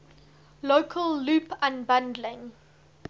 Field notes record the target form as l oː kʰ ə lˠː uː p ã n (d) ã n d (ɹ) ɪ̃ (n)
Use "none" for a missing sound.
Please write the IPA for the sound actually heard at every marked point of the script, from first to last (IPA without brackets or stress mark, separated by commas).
b, l, ŋ